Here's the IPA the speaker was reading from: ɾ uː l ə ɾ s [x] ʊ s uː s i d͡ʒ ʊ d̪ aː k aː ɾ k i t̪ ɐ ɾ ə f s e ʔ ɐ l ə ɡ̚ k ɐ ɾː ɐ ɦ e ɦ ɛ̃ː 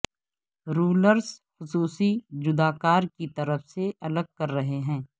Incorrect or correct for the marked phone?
correct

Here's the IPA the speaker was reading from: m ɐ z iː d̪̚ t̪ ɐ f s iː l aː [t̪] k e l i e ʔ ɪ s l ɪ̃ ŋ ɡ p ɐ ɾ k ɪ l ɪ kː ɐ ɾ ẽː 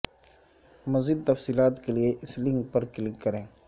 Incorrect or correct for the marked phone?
correct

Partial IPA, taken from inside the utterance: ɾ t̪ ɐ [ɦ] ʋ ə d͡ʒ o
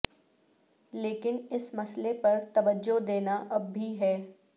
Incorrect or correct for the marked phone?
incorrect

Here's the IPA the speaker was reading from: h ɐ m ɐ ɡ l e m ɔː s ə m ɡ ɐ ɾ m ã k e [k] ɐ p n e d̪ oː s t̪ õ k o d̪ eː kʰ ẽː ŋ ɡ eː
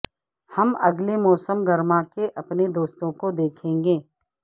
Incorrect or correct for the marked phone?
incorrect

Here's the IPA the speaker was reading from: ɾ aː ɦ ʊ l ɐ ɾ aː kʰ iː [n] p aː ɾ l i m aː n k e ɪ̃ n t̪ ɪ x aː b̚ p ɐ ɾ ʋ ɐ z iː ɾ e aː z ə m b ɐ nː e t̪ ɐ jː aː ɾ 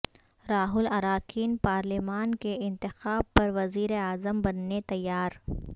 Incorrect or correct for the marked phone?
correct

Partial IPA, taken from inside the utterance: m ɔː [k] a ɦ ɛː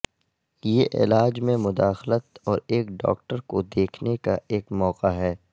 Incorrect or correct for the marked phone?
incorrect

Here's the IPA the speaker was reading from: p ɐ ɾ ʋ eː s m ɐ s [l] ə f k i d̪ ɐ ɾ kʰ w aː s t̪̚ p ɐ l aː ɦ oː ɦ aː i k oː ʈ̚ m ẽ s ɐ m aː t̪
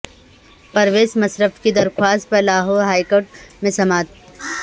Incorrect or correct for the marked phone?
incorrect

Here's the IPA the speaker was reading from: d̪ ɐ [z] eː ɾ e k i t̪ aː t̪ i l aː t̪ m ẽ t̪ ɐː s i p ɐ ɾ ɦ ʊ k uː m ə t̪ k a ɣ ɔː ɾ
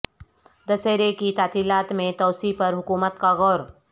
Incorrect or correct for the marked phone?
incorrect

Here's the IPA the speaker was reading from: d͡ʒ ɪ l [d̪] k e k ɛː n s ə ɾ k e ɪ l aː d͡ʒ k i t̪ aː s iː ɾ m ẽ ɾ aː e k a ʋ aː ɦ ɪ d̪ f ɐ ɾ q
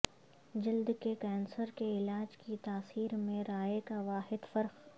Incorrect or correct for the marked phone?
correct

